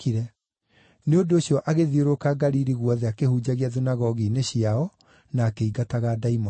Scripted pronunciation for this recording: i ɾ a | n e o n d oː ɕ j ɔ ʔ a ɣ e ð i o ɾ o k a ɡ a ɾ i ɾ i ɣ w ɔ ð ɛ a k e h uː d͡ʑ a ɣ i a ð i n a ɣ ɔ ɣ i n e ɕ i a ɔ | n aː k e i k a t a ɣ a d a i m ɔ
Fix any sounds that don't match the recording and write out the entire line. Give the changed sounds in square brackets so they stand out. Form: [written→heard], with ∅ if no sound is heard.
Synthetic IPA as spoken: i ɾ [a→ɛ] | n e o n d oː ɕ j ɔ ʔ a ɣ e ð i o ɾ o k a ɡ a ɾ i ɾ i ɣ w ɔ ð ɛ a k e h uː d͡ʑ a ɣ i a ð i n a ɣ ɔ ɣ i n e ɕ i a ɔ | n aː k e i [k→ɡ] a t a ɣ a d a i m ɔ